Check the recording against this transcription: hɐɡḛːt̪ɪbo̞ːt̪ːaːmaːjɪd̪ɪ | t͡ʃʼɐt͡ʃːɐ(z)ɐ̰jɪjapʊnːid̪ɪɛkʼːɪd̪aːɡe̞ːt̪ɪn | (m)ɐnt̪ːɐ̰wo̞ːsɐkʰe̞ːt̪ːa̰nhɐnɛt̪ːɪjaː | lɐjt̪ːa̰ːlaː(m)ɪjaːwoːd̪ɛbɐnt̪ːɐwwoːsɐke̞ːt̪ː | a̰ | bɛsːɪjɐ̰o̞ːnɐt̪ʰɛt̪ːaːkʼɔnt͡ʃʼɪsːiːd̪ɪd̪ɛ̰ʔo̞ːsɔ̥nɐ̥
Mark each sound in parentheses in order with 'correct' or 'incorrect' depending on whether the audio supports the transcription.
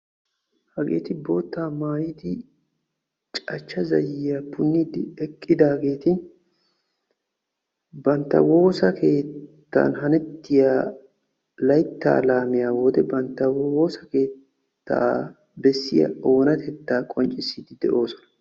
correct, incorrect, correct

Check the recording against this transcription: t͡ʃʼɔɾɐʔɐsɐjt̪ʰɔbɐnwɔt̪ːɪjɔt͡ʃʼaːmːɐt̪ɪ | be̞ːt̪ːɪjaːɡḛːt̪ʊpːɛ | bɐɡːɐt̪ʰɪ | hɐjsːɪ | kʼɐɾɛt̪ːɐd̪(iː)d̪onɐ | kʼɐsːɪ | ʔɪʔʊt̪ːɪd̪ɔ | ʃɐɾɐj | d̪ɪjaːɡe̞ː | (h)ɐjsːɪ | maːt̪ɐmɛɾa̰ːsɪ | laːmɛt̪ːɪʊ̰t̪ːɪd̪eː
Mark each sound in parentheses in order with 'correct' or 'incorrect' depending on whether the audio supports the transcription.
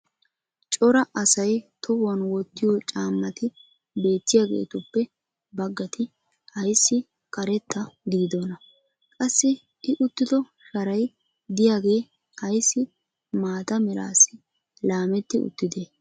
correct, correct

